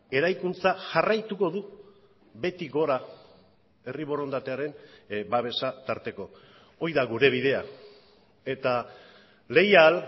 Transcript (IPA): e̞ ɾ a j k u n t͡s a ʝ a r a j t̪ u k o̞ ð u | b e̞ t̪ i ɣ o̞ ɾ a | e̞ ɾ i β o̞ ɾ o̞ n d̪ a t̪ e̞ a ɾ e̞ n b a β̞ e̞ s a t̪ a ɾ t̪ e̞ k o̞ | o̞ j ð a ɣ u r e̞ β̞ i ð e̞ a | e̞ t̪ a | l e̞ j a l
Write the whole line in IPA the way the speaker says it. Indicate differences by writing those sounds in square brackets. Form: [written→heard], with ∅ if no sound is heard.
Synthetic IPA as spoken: e̞ ɾ a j k u n t͡s a ʝ a r a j t̪ u k o̞ ð u | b e̞ t̪ i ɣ o̞ ɾ a | e̞ [ɾ→r] i β o̞ ɾ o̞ n d̪ a t̪ e̞ a ɾ e̞ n b a β̞ e̞ s a t̪ a ɾ t̪ e̞ k o̞ | o̞ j ð a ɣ u [r→ɾ] e̞ β̞ i ð e̞ a | e̞ t̪ a | l e̞ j a l